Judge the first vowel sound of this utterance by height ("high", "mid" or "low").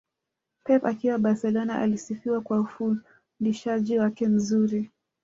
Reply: mid